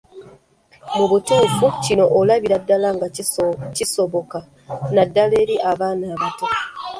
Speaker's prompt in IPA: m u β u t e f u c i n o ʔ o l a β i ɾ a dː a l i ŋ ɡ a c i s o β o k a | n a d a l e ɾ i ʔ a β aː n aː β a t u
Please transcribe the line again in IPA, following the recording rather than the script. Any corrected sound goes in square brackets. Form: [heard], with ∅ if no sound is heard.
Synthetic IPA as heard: m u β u t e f u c i n o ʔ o l a β i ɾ a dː a l [a] ŋ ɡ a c i s o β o k a | n a d a l e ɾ i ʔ a β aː n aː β a t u